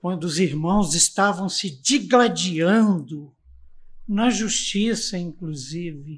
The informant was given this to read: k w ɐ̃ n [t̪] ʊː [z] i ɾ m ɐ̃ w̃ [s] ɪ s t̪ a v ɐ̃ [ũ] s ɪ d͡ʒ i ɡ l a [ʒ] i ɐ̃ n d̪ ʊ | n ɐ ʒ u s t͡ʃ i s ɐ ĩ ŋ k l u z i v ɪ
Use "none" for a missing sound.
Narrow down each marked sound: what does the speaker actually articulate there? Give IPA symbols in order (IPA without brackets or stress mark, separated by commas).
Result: d̪, z, z, w̃, d͡ʒ